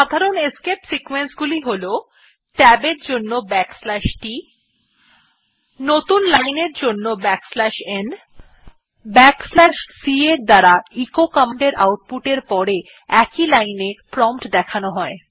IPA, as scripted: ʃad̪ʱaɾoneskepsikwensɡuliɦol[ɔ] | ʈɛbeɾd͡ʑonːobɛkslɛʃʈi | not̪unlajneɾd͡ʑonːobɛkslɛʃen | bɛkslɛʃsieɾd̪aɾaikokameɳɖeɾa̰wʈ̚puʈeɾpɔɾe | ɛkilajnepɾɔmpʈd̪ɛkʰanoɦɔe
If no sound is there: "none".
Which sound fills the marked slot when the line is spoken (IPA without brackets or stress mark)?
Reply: o